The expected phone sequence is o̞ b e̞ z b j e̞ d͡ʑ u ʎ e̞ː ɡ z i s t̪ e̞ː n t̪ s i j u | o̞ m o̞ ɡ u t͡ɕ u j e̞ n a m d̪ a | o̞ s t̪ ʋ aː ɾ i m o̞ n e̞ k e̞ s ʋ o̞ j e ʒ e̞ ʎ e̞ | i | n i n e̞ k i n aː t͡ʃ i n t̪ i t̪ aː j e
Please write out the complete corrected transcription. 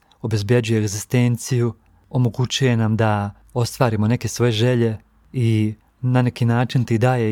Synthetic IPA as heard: o̞ b e̞ z b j e̞ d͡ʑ u j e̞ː ɡ z i s t̪ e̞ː n t̪ s i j u | o̞ m o̞ ɡ u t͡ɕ u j e̞ n a m d̪ a | o̞ s t̪ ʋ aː ɾ i m o̞ n e̞ k e̞ s ʋ o̞ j e ʒ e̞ ʎ e̞ | i | n a n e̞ k i n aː t͡ʃ i n t̪ i d̪ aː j e